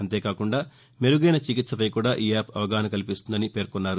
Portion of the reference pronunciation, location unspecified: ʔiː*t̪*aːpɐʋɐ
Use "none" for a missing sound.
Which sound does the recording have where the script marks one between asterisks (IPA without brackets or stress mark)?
none